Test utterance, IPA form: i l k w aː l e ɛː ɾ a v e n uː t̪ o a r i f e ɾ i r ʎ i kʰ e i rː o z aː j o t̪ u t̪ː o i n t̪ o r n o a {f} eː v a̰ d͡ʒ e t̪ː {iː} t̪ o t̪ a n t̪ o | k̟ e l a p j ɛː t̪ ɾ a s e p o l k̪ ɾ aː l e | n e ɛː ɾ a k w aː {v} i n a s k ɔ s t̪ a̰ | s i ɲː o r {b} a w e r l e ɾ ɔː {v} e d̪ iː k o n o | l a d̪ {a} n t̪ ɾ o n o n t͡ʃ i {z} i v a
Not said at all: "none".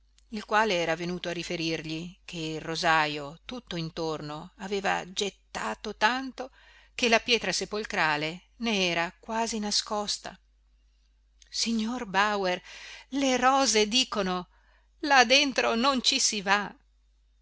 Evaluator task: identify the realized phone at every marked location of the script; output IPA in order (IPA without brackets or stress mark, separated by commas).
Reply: v, aː, z, b, z, e, s